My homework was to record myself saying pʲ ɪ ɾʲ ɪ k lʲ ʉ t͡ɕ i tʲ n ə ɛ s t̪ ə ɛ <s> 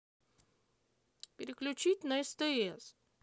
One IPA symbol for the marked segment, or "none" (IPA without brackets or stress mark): s